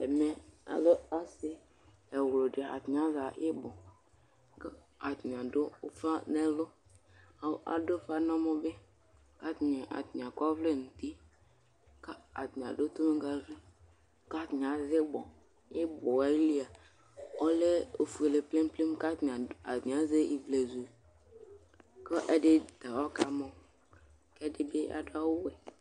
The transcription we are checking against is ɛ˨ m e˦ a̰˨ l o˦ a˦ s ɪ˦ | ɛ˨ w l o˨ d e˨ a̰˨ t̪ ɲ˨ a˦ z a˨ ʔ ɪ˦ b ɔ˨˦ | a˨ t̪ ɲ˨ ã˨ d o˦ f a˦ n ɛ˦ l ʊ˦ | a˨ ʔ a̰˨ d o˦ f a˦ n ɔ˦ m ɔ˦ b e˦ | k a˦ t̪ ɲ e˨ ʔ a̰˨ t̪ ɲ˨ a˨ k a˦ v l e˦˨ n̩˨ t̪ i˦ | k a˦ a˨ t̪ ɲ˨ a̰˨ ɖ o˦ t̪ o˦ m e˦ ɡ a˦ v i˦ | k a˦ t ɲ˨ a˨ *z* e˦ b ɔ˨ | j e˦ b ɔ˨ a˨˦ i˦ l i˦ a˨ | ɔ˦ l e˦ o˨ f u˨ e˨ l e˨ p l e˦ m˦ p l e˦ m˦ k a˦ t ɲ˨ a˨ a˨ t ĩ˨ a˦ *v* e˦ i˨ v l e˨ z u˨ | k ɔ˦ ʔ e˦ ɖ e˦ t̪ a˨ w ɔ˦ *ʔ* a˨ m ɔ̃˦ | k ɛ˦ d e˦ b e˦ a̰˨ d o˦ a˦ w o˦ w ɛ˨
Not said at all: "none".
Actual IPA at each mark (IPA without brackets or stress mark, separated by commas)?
z, z, k